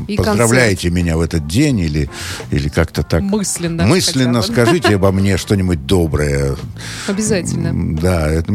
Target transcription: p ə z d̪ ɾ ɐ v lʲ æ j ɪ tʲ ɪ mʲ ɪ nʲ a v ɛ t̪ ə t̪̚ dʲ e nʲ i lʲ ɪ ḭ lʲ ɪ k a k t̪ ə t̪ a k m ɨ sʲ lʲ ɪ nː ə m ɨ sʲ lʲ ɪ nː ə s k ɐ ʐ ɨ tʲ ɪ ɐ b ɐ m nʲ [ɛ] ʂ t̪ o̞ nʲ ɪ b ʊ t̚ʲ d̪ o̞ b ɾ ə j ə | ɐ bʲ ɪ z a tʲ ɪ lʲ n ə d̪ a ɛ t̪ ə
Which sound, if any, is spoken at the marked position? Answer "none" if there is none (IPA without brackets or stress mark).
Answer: e